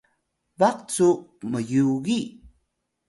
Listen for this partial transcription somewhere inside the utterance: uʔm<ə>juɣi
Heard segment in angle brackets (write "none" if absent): ə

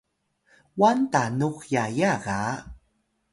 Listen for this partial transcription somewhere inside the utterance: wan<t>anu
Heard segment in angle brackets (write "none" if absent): t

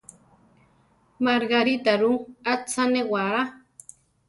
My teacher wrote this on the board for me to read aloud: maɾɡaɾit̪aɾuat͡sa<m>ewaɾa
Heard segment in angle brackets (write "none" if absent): n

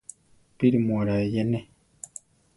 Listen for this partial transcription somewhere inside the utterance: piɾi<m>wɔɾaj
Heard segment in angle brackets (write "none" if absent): m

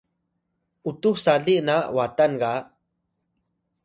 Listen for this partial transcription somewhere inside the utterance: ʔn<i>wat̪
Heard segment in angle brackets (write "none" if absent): a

